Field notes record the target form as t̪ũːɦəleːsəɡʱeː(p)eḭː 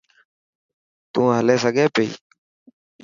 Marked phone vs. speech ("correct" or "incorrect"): correct